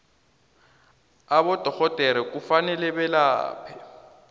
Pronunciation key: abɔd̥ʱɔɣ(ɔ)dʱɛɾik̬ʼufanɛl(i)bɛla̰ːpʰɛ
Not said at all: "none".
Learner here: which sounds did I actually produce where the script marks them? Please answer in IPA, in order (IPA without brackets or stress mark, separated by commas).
ɔ, ɛ